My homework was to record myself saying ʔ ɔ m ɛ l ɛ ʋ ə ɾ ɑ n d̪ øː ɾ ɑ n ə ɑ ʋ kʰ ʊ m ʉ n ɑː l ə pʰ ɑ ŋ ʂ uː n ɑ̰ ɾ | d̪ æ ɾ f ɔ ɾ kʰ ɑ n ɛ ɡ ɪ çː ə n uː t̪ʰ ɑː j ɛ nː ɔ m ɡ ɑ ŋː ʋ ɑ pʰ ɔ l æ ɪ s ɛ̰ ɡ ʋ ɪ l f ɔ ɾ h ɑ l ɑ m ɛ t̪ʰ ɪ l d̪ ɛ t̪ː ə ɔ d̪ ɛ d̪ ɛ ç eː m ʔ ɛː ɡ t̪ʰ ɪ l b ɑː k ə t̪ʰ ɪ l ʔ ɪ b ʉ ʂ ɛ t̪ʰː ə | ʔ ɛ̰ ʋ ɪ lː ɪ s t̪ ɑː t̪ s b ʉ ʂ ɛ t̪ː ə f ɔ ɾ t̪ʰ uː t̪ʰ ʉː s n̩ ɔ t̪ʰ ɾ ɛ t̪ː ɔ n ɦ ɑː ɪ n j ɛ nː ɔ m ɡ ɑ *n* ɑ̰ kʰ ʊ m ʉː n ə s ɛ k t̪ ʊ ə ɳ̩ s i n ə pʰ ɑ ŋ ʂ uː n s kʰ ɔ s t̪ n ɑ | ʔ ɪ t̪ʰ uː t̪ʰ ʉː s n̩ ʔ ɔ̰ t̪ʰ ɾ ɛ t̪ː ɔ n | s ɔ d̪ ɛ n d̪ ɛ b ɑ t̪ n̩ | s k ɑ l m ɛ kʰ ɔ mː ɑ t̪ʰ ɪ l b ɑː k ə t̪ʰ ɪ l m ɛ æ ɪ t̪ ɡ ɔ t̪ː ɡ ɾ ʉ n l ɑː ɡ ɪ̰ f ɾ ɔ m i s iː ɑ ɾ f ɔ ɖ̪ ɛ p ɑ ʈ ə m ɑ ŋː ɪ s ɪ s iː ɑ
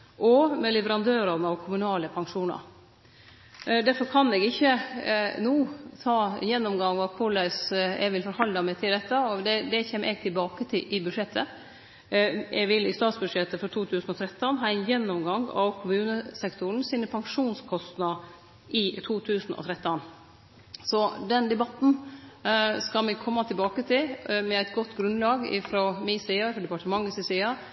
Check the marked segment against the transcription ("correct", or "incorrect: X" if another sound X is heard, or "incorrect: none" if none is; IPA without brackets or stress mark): incorrect: ŋ